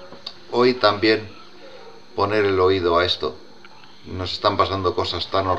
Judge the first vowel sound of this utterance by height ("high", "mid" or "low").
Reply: mid